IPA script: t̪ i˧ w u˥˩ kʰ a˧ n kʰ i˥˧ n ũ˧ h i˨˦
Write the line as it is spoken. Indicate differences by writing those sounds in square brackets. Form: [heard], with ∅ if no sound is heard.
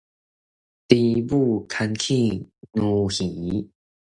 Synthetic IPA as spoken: t̪ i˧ [b] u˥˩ kʰ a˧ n kʰ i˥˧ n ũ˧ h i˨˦